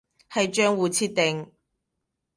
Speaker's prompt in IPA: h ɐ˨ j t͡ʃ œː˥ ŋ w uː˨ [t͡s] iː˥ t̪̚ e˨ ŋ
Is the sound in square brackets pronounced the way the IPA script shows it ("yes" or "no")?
no